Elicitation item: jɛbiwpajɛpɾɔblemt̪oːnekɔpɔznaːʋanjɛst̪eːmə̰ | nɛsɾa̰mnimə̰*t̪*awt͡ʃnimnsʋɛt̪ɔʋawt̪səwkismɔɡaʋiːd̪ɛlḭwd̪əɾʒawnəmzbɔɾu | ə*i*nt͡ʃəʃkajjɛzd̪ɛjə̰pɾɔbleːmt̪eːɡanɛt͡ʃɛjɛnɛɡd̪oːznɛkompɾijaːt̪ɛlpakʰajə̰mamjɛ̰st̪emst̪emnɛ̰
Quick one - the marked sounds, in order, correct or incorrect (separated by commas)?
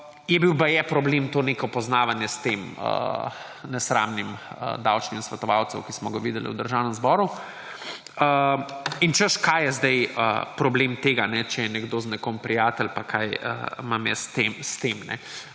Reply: incorrect, correct